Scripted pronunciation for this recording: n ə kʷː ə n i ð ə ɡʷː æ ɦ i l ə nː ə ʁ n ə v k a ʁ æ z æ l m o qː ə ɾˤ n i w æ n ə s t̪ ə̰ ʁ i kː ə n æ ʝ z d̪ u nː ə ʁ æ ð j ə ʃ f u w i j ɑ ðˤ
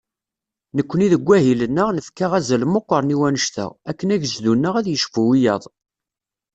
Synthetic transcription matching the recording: n ə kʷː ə n i ð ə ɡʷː æ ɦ i l ə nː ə ʁ n ə f k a ʁ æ z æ l m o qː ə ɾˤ n i w æ n ə ʃ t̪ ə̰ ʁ æ kː ə n æ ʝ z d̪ u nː ə ʁ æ ð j ə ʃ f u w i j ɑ ðˤ